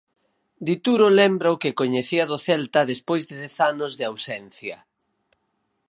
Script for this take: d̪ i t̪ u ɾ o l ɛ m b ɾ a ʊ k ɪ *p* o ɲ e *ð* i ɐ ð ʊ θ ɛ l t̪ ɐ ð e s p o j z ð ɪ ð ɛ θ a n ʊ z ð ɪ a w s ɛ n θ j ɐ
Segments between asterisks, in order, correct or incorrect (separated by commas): incorrect, incorrect